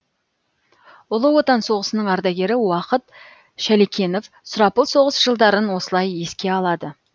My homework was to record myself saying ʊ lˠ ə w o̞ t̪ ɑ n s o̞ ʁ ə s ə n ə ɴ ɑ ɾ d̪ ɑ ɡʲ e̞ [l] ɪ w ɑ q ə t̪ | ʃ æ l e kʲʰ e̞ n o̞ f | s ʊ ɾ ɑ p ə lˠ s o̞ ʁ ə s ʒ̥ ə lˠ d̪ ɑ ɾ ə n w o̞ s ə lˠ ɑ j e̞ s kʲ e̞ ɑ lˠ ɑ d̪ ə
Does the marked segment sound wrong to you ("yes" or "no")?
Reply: yes